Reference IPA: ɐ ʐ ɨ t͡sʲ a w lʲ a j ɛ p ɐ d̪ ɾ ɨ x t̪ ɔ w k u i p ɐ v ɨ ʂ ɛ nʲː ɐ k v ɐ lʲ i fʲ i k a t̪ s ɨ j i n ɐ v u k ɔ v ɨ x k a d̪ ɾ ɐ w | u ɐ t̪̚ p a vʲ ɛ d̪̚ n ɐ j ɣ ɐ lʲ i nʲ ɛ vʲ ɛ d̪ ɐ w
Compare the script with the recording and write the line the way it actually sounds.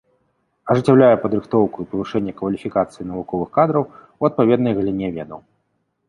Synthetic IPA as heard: ɐ ʐ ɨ t͡sʲ a w lʲ a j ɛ p ɐ d̪ ɾ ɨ x t̪ ɔ w k u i p ɐ v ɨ ʂ ɛ nʲː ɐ k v ɐ lʲ i fʲ i k a t̪ s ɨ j i n ɐ v u k ɔ v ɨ x k a d̪ ɾ ɐ w | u ɐ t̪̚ p a vʲ ɛ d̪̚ n ɐ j ɣ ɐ lʲ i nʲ ɛ vʲ ɛ d̪ ɐ w